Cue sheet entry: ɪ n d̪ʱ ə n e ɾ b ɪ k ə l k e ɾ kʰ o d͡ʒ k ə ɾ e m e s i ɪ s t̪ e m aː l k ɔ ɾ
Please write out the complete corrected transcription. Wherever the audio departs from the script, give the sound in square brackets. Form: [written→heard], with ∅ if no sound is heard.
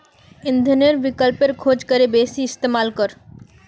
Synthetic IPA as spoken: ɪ n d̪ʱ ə n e ɾ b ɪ k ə l [k→p] e ɾ kʰ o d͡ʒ k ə ɾ e [m→b] e s i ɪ s t̪ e m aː l k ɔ ɾ